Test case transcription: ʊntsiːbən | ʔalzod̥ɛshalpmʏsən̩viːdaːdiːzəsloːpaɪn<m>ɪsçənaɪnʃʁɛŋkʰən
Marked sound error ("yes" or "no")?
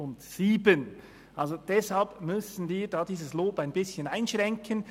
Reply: yes